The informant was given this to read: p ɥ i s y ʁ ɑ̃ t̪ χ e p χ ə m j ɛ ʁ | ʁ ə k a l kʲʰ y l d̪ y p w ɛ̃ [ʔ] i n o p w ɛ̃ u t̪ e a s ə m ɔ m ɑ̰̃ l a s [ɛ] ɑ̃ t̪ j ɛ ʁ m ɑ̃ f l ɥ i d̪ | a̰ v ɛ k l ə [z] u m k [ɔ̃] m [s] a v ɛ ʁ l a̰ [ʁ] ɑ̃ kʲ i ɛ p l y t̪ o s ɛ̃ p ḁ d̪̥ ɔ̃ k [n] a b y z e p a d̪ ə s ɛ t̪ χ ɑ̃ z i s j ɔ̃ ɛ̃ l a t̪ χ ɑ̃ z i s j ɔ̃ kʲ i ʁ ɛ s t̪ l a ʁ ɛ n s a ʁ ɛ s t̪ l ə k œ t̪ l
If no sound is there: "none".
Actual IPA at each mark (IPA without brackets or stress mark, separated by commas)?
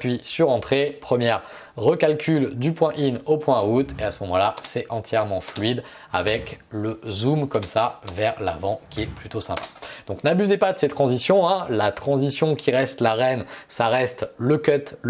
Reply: ʔ, ɛ, z, ɔ, s, v, n